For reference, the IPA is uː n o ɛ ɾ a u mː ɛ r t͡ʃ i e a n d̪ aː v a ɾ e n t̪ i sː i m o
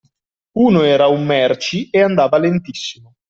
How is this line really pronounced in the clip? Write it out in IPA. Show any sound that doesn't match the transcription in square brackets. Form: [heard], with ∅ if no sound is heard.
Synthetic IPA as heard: uː n o [ɛː] ɾ a u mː ɛ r t͡ʃ i e a n d̪ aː v a [l] e n t̪ i sː i m o